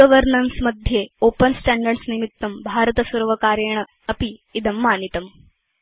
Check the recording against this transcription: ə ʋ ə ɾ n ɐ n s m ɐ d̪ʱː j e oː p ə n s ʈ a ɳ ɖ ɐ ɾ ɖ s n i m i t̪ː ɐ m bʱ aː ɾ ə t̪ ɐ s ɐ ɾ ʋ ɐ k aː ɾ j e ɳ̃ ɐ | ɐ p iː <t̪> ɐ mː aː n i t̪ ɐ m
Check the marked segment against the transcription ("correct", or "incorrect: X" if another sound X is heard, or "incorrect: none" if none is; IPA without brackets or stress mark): incorrect: d̪